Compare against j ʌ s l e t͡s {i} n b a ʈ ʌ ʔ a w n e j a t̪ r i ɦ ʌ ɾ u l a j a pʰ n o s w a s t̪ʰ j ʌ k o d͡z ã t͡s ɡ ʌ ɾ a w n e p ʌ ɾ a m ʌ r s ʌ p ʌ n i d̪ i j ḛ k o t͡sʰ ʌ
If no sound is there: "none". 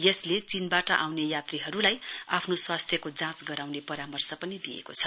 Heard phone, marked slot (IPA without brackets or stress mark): i